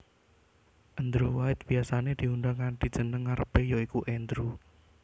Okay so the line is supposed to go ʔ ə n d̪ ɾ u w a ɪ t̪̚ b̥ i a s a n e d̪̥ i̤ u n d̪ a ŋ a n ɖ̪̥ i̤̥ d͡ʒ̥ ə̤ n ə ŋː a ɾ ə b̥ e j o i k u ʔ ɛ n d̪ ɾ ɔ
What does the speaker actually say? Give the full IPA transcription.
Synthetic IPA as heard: ʔ ə n d̪ ɾ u w a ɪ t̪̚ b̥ i a s a n e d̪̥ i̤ u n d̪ a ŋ a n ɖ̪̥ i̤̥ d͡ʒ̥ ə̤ n ə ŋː a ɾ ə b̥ e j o i k u ʔ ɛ n d̪ ɾ u